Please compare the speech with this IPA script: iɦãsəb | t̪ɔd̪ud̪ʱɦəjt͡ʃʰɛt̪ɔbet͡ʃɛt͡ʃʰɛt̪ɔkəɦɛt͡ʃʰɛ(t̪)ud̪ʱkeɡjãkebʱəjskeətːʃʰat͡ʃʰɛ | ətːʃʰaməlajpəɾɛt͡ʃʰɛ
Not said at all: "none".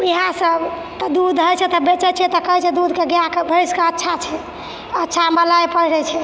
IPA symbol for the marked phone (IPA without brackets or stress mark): d̪